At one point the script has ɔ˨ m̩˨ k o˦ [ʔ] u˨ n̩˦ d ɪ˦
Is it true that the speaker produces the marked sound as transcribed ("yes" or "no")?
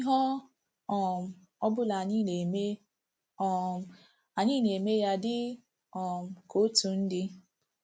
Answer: no